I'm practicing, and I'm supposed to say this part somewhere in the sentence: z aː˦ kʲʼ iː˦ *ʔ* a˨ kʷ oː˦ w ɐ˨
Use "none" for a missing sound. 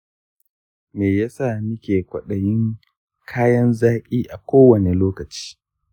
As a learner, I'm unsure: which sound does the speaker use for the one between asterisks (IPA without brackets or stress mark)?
ʔ